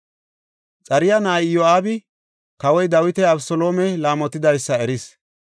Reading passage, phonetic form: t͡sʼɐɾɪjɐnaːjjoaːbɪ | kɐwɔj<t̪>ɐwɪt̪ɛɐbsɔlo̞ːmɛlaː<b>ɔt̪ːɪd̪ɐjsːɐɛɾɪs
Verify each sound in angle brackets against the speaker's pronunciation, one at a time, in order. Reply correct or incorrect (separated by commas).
incorrect, incorrect